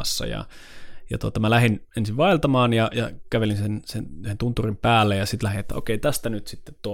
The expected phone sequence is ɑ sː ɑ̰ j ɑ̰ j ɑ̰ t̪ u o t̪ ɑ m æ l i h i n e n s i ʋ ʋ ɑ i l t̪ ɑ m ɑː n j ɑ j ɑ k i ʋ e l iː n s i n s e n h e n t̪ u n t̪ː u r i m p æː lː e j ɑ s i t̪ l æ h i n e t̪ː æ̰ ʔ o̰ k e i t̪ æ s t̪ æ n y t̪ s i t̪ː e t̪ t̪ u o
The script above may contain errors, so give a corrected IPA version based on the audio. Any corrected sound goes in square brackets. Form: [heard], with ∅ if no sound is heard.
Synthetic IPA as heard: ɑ sː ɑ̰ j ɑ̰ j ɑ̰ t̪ u o t̪ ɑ m æ l [æ] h i n e n s i ʋ ʋ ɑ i l t̪ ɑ m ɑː n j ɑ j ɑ k [æ] ʋ e l [i] n s [e] n s e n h e n t̪ u n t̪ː u r i m p æː lː e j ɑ s i t̪ l æ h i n e t̪ː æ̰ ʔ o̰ k e i t̪ æ s t̪ æ n y t̪ s i t̪ː e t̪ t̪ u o